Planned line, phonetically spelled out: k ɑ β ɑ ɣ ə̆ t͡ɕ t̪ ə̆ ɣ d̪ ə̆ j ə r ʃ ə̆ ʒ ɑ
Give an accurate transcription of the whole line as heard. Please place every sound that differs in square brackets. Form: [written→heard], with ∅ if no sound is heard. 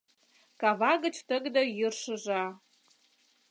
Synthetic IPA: k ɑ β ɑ ɣ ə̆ t͡ɕ t̪ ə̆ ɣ d̪ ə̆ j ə r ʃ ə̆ ʒ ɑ